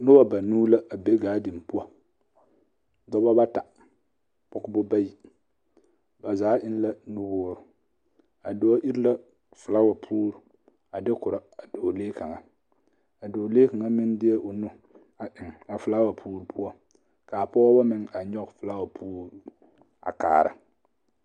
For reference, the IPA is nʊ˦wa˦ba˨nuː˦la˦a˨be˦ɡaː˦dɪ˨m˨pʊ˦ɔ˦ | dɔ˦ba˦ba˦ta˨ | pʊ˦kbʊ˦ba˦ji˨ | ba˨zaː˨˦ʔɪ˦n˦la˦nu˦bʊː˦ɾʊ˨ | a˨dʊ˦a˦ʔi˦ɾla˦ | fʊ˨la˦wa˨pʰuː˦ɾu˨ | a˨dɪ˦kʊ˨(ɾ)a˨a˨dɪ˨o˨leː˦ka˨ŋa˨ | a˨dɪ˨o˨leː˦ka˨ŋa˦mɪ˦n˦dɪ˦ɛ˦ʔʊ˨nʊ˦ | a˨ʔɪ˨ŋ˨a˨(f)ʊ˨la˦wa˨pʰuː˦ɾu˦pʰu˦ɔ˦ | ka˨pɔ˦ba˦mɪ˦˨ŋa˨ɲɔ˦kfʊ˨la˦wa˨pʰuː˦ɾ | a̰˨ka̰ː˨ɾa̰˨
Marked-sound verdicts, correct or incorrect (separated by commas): correct, correct